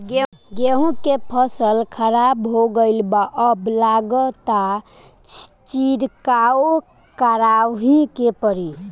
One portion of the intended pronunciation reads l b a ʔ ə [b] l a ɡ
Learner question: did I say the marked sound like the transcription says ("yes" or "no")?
yes